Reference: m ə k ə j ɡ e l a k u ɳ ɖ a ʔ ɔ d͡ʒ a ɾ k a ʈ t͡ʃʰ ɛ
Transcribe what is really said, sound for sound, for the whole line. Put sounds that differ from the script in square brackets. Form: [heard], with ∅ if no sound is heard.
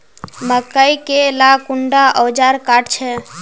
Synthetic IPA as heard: m ə k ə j [k] e l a k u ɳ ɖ a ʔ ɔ d͡ʒ a ɾ k a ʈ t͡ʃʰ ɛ